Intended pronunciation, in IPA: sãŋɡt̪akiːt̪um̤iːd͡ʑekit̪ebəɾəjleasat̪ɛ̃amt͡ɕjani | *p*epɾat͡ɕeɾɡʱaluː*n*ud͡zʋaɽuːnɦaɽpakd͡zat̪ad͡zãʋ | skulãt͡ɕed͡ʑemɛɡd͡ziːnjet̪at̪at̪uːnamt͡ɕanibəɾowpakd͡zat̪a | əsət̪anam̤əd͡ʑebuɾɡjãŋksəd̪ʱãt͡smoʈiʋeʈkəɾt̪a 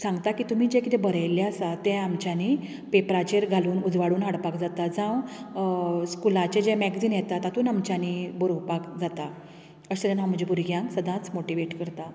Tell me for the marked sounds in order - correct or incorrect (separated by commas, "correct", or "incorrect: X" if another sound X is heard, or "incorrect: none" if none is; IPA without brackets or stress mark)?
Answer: correct, correct